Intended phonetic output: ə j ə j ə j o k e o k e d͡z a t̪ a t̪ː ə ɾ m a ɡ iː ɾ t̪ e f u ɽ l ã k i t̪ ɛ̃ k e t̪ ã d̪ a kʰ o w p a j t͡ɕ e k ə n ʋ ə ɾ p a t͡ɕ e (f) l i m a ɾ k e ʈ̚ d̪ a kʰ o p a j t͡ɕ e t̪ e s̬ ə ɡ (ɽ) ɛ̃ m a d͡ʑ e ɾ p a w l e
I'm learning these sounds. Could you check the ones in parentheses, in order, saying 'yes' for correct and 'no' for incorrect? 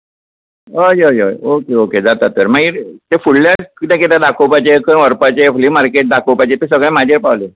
yes, no

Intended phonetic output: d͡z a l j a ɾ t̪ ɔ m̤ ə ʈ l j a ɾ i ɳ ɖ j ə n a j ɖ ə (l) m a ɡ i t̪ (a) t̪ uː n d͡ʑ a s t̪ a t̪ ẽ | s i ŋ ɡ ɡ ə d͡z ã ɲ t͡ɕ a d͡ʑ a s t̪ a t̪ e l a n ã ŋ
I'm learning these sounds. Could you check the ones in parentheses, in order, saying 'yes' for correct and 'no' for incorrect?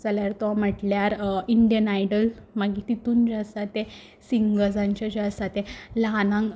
yes, no

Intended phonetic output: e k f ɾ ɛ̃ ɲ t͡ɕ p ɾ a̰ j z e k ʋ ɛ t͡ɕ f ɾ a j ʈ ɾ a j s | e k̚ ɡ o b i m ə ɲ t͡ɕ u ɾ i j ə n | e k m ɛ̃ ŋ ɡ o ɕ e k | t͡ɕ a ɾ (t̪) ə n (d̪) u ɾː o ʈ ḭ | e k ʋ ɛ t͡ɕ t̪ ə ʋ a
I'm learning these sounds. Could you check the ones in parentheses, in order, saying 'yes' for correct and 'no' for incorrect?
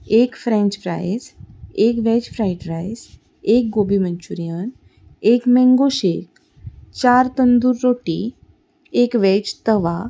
yes, yes

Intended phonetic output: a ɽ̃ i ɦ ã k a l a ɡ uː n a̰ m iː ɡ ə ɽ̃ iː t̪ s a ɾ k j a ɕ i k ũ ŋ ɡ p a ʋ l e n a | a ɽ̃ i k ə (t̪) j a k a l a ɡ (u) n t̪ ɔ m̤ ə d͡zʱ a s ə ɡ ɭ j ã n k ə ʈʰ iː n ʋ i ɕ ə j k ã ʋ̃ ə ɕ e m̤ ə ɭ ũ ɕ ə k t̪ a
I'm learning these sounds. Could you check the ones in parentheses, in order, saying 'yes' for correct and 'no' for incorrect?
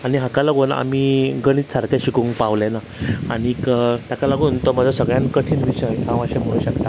yes, no

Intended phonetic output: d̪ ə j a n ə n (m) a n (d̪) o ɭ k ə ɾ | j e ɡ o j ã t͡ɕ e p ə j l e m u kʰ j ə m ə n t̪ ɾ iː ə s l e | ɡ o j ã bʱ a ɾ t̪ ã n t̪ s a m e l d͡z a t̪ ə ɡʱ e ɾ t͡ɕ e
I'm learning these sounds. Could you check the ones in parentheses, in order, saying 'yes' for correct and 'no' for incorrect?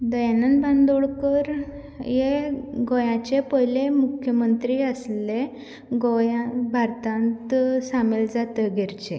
no, yes

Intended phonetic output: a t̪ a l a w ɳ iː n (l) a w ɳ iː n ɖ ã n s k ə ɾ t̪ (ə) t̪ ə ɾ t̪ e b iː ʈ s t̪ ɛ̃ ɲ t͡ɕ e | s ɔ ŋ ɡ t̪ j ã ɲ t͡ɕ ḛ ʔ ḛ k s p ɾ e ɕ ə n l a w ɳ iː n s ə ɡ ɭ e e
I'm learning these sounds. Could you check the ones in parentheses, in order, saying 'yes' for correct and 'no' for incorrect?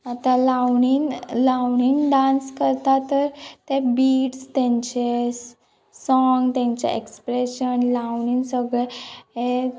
yes, no

